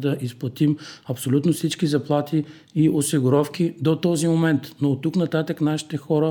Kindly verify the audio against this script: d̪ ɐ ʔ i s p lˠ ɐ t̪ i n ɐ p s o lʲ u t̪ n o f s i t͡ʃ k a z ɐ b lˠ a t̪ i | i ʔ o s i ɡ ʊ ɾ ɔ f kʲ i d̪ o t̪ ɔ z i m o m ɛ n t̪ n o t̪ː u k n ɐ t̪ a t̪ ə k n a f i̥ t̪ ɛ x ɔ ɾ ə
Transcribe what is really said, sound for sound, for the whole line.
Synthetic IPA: d̪ ɐ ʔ i s p lˠ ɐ t̪ i m ɐ p s o lʲ u t̪ n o f s i t͡ʃ k i z ɐ p lˠ a t̪ i | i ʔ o s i ɡ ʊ ɾ ɔ f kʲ i d̪ o t̪ ɔ z i m o m ɛ n t̪ n o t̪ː u k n ɐ t̪ a t̪ ə k n a ʃ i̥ t̪ ɛ x ɔ ɾ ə